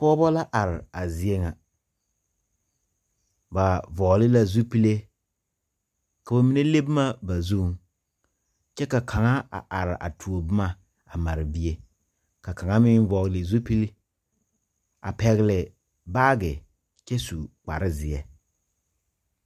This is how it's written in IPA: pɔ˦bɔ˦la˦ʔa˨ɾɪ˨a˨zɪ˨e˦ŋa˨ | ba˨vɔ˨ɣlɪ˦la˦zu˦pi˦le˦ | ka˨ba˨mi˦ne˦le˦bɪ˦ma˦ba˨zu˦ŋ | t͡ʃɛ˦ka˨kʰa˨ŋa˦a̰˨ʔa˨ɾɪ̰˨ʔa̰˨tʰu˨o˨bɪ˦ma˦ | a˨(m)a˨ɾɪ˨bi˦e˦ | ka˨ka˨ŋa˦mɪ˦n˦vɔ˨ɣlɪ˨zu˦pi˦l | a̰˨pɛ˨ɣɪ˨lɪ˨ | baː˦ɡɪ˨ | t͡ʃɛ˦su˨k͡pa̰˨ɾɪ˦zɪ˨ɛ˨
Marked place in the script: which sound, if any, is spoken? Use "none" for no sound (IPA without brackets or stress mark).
m